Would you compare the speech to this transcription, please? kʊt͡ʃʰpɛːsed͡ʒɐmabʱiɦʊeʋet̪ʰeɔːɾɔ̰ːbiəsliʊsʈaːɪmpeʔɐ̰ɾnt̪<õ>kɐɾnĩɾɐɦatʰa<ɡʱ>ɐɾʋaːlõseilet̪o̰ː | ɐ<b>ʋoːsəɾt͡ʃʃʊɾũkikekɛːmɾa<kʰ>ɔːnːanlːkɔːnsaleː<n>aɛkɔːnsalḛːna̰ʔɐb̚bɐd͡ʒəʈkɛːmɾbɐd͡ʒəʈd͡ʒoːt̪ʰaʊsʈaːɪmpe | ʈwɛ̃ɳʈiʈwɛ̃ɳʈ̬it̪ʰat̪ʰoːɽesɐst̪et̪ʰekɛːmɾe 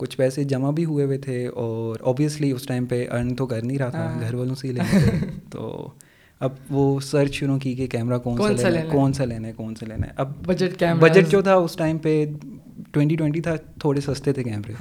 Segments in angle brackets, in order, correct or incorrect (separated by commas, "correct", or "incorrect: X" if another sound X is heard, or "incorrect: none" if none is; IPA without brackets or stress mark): incorrect: o, correct, correct, incorrect: k, correct